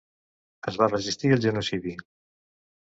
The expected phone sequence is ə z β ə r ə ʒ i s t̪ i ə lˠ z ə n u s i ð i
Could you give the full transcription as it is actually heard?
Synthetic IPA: ə z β a r ə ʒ i s t̪ i ə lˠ ʒ ə n u s i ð i